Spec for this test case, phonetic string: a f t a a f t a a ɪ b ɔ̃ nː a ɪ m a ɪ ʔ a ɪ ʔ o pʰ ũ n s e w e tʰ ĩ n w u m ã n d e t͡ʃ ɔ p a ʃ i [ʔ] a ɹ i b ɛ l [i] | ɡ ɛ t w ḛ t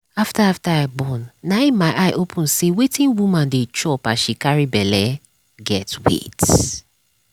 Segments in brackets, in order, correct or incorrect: incorrect: k, incorrect: ɛ

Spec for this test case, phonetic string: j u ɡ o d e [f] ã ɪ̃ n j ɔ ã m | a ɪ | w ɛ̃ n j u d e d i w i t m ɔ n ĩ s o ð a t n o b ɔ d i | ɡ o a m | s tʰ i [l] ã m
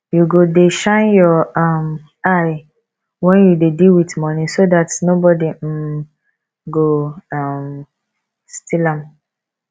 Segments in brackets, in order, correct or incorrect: incorrect: ʃ, correct

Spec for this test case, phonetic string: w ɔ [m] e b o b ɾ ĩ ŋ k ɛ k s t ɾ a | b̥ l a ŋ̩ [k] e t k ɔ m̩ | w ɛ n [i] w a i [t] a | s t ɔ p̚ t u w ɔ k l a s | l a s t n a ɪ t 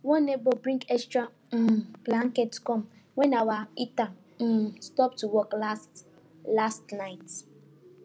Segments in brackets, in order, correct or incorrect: incorrect: n, correct, incorrect: a, correct

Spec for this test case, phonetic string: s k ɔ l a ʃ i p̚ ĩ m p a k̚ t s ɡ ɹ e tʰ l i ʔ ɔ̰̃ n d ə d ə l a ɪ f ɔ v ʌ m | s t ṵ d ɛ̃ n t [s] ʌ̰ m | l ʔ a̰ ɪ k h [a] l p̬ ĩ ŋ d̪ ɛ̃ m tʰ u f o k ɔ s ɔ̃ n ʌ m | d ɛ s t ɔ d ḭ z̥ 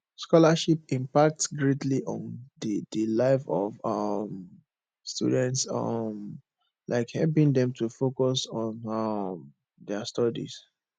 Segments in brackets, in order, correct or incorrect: correct, incorrect: ɛ

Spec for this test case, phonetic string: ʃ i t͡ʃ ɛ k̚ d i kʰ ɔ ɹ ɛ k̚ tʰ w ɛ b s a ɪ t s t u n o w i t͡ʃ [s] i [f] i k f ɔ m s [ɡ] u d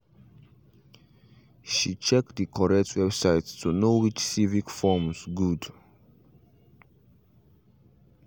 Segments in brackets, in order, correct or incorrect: correct, incorrect: v, correct

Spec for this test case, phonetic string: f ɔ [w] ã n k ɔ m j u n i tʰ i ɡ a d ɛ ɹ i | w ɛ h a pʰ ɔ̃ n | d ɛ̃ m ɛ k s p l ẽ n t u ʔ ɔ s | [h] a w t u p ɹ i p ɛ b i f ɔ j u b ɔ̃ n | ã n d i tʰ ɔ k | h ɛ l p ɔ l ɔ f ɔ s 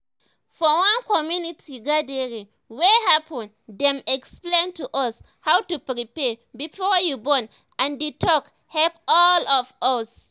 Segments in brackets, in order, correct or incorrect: correct, correct

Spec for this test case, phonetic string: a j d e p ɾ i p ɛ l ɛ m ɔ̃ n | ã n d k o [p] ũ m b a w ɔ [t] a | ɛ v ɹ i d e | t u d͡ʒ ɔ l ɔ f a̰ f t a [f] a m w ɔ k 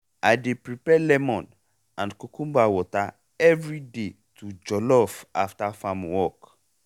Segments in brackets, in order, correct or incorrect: incorrect: k, correct, correct

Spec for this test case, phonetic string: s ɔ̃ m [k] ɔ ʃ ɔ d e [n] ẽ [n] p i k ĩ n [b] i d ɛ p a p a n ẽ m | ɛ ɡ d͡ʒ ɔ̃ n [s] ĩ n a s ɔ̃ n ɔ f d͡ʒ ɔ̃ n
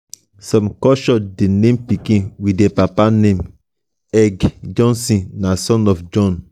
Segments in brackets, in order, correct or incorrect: correct, correct, incorrect: m, incorrect: w, correct

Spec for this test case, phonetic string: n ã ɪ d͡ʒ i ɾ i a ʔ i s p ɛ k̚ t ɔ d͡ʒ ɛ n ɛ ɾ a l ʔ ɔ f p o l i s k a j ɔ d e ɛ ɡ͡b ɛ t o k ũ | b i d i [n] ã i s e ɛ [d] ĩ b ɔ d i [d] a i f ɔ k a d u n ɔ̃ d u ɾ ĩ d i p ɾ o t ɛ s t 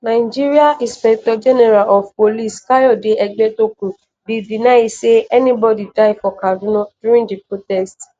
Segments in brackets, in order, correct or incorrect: correct, incorrect: n, correct

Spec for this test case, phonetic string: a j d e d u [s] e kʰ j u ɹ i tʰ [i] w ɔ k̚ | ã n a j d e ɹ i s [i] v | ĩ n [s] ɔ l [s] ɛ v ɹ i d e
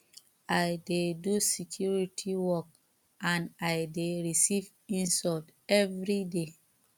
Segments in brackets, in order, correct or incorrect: correct, correct, correct, correct, incorrect: t

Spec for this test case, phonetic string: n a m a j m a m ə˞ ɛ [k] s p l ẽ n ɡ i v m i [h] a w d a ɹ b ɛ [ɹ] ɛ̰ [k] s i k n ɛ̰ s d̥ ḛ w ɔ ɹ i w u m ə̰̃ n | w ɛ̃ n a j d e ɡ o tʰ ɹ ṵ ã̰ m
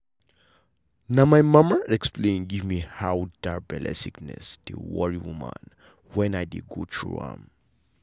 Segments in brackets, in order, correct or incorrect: correct, correct, incorrect: l, incorrect: none

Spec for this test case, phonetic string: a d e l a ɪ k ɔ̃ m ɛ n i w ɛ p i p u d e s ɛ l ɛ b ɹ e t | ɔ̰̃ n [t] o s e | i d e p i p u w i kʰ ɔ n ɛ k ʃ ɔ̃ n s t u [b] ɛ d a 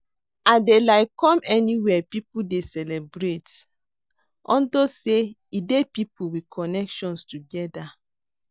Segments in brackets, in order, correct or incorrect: incorrect: d, incorrect: ɡ

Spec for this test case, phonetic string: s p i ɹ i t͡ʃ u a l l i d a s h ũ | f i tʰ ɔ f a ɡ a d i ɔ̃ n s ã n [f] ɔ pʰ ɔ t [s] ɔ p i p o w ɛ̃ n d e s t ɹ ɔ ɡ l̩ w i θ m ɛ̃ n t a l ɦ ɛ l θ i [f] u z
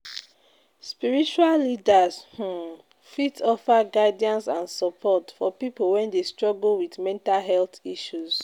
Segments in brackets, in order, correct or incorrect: incorrect: s, incorrect: f, incorrect: ʃ

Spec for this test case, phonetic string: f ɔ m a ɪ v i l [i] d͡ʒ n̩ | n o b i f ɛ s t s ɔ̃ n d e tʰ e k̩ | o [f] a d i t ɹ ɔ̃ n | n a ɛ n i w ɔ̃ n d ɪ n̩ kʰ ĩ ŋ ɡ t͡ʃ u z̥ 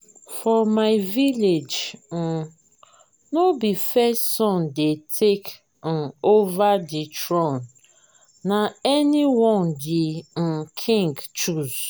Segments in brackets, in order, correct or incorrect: incorrect: e, incorrect: v

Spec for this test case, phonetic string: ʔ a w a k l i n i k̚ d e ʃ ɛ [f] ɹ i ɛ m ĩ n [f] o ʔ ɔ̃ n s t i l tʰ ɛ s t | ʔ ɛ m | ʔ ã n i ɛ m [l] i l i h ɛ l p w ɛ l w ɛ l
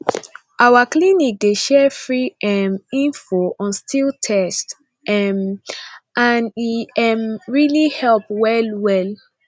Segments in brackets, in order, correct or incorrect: correct, correct, incorrect: ɹ

